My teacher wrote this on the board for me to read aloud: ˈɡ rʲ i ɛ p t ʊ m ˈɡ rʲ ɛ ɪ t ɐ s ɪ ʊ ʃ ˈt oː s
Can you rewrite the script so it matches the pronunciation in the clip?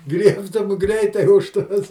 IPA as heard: ˈɡ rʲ i ɛ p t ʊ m ˈɡ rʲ ɛ ɪ t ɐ ɪ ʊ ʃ ˈt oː s